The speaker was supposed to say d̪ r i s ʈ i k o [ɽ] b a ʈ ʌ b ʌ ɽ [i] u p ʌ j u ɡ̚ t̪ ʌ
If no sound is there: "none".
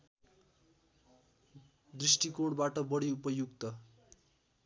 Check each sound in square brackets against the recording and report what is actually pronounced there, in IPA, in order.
ɽ, i

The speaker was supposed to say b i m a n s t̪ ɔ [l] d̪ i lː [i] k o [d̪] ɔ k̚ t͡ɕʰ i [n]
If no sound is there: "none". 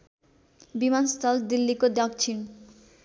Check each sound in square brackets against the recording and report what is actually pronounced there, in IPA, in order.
l, i, d̪, n

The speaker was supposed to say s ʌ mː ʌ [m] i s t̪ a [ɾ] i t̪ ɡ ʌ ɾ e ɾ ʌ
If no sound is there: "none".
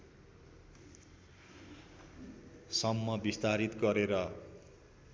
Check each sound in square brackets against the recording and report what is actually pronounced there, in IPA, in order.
b, ɾ

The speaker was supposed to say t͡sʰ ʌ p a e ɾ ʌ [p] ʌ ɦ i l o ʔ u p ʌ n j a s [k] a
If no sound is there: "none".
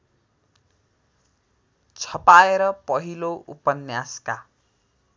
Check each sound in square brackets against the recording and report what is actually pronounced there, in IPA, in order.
p, k

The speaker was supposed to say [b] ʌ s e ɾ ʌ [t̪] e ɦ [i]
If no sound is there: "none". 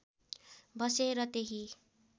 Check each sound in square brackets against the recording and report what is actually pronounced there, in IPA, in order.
b, t̪, i

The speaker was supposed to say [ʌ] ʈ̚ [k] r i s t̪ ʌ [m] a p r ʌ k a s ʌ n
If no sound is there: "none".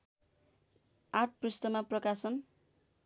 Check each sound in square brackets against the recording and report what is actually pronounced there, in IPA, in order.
a, p, m

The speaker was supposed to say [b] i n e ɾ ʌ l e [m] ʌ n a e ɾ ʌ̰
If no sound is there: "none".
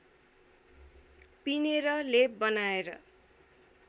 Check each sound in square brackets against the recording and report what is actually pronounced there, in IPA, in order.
p, b

